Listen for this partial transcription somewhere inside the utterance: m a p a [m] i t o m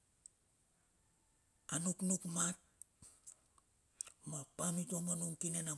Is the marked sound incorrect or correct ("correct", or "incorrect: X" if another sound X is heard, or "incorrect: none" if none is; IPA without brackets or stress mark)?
correct